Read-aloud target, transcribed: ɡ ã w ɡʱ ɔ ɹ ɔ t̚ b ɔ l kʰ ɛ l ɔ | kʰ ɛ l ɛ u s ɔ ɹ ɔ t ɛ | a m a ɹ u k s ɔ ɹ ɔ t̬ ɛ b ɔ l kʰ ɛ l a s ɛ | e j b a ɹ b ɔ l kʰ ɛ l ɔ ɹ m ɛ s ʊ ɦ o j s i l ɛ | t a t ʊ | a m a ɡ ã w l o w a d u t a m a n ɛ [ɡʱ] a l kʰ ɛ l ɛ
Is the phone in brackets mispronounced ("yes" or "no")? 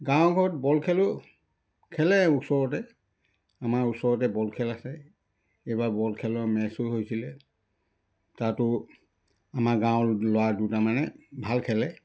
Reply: yes